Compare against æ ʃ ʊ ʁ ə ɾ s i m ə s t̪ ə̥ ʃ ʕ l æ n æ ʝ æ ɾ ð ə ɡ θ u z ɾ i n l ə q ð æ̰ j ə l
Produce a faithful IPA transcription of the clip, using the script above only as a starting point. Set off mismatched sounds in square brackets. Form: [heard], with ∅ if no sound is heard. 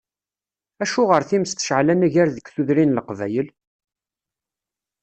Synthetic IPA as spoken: æ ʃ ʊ ʁ ə ɾ [θ] i m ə s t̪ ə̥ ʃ ʕ l æ n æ ʝ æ ɾ ð ə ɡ θ u [ð] ɾ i n l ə q [v] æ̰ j ə l